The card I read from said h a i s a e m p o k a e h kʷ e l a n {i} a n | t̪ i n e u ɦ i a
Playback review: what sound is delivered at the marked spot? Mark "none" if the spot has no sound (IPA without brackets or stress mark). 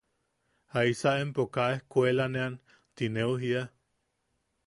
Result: e